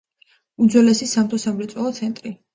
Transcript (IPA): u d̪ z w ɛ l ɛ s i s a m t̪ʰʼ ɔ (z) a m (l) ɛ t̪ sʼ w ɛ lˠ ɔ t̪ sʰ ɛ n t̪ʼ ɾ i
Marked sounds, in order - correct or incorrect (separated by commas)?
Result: incorrect, incorrect